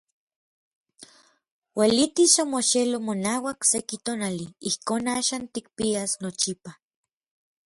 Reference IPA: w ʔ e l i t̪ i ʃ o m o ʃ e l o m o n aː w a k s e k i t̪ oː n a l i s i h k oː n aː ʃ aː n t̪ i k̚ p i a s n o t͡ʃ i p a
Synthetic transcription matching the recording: w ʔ e l i t̪ i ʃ o m o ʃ e l o m o n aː w a k s e k i t̪ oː n a l i i h k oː n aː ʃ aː n t̪ i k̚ p i a s n o t͡ʃ i p a